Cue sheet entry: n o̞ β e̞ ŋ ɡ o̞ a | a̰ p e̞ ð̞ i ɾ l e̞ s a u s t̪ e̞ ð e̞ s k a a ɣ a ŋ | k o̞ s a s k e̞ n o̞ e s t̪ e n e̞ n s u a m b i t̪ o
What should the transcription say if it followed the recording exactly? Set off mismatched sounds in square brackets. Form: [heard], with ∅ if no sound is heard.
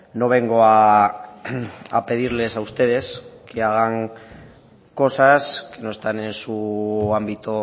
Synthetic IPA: n o̞ β e̞ ŋ ɡ o̞ a | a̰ p e̞ ð̞ i ɾ l e̞ s a u s t̪ e̞ ð e̞ s k [e] a ɣ a ŋ | k o̞ s a s k e̞ n o̞ e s t̪ [a] n e̞ n s u a m b i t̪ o